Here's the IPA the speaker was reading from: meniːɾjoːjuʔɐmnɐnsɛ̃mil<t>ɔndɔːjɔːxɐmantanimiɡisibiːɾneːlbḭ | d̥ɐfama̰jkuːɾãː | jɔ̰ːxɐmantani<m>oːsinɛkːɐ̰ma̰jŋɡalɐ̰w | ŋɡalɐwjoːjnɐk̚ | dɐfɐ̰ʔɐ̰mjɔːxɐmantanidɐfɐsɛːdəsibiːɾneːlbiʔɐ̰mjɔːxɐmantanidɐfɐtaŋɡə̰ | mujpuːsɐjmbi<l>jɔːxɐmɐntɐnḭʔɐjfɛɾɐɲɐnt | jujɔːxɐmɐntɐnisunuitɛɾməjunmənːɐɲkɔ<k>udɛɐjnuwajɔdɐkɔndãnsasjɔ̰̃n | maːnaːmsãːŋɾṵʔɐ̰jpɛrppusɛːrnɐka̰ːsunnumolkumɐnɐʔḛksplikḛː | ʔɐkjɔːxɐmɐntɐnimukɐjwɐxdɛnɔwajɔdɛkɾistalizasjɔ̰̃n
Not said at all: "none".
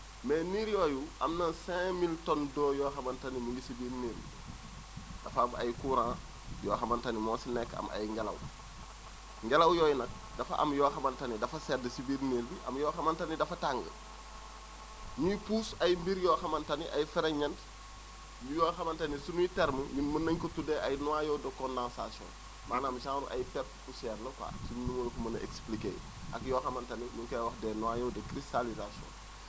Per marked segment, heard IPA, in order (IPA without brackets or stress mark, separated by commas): t, m, ɾ, t